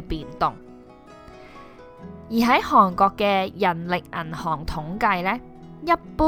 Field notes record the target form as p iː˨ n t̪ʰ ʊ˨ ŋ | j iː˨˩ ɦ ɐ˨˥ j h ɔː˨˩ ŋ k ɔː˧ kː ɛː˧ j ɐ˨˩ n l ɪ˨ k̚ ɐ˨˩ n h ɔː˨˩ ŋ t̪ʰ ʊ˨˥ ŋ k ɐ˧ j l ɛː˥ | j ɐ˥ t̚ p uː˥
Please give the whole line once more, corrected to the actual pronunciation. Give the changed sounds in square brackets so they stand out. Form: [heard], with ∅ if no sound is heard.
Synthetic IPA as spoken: p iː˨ n [t̪] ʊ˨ ŋ | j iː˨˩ ɦ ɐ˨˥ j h ɔː˨˩ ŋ k ɔː˧ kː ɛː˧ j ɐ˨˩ n l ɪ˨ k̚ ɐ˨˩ n h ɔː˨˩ ŋ t̪ʰ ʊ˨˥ ŋ k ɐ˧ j l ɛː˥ | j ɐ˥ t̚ p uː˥